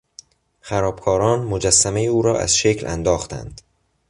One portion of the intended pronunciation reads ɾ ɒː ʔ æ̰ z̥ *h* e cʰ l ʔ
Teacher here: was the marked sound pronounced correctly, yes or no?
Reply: no